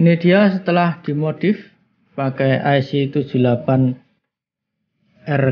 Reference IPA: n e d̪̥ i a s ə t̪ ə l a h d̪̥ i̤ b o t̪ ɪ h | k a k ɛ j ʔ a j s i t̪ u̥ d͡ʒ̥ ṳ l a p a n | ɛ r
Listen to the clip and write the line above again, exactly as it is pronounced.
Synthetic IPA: n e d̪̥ i a s ə t̪ ə l a h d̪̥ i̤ m o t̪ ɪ f | p a k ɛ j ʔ a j s i t̪ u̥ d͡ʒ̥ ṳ l a p a n | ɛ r